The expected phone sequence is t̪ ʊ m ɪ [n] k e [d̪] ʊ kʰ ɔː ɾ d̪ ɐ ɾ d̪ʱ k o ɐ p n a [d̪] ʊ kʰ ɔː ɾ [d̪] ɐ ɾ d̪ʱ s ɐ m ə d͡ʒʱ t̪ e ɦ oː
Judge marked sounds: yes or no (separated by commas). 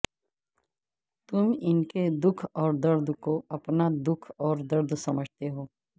yes, yes, yes, yes